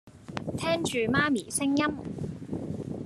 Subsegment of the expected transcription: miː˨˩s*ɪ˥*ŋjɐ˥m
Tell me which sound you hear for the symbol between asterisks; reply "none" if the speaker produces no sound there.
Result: ɪ˥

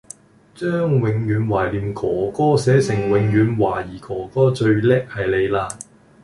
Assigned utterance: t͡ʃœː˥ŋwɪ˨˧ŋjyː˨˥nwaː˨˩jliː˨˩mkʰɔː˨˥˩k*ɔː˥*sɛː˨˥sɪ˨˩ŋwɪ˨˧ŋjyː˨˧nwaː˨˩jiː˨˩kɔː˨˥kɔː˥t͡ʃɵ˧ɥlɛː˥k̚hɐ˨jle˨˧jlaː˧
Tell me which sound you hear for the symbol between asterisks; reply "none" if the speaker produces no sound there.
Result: ɔː˥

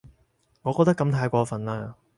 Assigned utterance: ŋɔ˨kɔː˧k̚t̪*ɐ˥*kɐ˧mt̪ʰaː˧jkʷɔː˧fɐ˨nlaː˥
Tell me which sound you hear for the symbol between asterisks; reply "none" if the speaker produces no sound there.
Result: ɐ˥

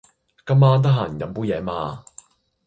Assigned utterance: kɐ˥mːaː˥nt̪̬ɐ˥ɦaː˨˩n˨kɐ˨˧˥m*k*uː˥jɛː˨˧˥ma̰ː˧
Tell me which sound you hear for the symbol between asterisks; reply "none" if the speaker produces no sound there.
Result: p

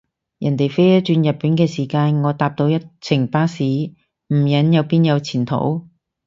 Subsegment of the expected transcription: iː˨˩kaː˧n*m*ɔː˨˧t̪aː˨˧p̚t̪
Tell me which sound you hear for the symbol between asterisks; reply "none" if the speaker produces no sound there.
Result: ŋ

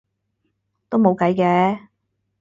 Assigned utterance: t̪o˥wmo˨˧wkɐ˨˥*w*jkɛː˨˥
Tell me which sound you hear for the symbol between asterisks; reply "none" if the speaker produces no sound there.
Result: none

